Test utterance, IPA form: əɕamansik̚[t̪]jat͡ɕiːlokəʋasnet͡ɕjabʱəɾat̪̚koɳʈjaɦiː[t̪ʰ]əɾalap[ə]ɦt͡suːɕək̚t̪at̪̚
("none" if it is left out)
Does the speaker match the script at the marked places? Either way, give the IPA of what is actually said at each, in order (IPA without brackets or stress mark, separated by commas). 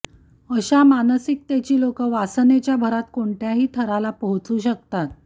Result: t̪, t̪ʰ, ə